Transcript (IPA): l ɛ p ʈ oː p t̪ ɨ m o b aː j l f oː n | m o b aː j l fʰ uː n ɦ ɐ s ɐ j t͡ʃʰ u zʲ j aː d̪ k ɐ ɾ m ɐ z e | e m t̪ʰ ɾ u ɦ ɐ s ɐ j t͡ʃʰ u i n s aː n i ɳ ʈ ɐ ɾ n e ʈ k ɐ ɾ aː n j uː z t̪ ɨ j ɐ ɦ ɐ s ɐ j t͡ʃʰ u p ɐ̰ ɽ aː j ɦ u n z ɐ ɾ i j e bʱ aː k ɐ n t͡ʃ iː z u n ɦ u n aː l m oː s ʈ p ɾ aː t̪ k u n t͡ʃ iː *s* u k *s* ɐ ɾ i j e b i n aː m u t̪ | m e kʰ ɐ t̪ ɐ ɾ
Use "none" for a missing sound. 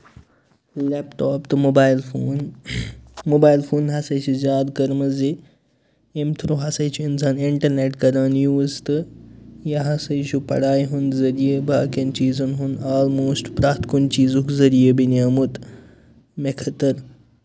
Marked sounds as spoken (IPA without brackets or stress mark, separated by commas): z, z